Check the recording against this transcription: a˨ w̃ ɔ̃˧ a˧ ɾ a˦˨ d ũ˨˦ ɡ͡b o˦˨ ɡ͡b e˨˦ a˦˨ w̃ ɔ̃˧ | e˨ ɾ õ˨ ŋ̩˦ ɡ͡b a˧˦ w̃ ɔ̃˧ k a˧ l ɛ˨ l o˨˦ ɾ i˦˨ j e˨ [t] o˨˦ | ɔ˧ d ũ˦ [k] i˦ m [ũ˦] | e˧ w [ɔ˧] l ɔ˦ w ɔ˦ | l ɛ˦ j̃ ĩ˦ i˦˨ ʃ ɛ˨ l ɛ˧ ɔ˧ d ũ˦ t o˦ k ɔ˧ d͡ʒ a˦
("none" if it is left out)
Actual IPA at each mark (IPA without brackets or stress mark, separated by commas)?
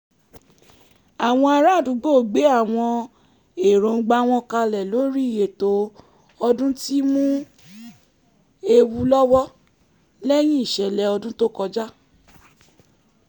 t, t, ũ˦, u˧